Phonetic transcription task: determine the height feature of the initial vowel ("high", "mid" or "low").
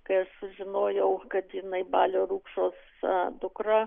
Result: low